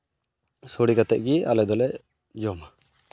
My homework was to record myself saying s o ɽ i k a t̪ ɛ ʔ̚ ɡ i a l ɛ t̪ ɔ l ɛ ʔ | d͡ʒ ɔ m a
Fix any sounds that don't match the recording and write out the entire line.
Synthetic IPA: s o ɽ i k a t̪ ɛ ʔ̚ ɡ i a l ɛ d̪ ɔ l ɛ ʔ | d͡ʒ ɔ m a